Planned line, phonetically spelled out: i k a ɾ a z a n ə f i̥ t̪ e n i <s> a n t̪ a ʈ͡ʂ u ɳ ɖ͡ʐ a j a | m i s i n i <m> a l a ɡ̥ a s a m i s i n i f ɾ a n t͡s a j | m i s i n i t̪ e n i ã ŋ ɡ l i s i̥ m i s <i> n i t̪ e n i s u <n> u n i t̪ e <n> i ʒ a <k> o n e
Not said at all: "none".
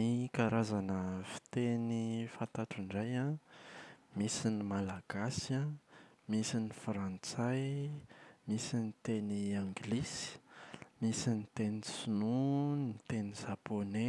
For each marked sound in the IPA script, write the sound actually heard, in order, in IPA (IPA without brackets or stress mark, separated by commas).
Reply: f, m, i, n, n, p